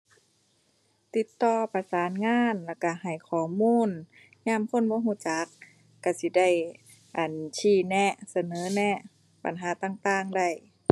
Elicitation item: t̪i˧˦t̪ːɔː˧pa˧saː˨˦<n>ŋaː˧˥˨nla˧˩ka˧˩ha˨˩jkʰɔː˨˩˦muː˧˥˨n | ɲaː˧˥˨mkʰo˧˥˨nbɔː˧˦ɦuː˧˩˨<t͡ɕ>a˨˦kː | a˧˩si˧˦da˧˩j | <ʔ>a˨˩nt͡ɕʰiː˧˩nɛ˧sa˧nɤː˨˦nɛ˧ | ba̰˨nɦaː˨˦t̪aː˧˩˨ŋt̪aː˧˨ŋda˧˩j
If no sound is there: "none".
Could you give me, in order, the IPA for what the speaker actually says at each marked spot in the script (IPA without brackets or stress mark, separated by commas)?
n, t͡ɕ, ʔ